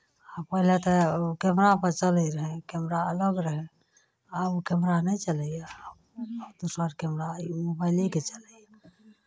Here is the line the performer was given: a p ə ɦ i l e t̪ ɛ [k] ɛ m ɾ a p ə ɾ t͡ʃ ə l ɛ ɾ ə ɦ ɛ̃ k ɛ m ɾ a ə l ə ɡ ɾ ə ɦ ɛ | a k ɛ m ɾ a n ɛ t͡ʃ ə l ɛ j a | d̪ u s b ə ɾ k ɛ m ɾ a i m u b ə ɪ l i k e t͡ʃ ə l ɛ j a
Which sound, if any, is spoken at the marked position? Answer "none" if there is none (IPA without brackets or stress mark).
k